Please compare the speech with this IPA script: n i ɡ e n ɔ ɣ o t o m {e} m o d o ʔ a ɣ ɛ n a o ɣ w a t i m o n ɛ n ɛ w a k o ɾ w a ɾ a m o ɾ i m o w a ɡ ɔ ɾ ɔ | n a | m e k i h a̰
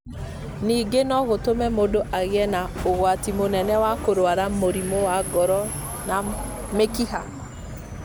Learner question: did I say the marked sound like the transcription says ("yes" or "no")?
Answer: no